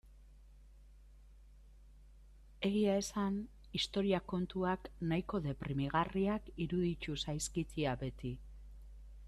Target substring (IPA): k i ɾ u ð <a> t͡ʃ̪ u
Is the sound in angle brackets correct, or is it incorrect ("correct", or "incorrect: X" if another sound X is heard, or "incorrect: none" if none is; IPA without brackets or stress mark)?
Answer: incorrect: i